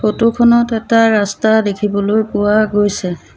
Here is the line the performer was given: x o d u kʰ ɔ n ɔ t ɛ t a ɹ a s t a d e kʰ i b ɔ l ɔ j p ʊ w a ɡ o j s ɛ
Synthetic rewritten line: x o t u kʰ ɔ n ɔ t ɛ t a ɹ a s t a d e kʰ i b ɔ l o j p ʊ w a ɡ o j s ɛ

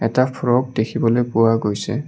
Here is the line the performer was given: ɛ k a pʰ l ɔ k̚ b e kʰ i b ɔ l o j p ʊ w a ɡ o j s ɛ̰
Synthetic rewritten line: ɛ t a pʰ ɹ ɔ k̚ d e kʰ i b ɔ l o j p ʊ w a ɡ o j s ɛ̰

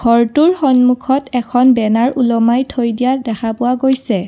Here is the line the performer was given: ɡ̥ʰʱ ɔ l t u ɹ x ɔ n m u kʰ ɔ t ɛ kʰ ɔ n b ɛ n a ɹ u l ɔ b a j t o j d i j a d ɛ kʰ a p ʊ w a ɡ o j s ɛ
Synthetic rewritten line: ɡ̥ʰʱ ɔ ɹ t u ɹ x ɔ n m u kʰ ɔ t ɛ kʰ ɔ n b ɛ n a ɹ u l ɔ m a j tʰ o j d i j a d ɛ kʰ a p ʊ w a ɡ o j s ɛ

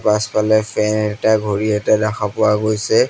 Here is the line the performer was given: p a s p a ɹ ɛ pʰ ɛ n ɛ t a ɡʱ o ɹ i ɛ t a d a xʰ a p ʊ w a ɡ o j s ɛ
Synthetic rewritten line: p a s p a l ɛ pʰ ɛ n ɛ t a ɡʱ o ɹ i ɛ t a d a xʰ a p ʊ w a ɡ o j s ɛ

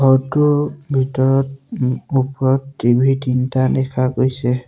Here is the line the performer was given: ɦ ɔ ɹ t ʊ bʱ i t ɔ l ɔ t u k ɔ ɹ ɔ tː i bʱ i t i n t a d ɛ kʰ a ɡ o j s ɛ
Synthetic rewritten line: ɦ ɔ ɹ t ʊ bʱ i t ɔ ɹ ɔ t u p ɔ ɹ ɔ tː i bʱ i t i n t a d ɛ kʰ a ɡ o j s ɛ

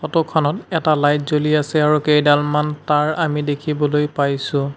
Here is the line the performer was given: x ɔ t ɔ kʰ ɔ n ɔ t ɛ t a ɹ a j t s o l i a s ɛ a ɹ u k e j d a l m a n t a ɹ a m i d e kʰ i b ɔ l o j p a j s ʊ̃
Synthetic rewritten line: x ɔ t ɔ kʰ ɔ n ɔ t ɛ t a l a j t z o l i a s ɛ a ɹ u k e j d a l m a n t a ɹ a m i d e kʰ i b ɔ l o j p a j s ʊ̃

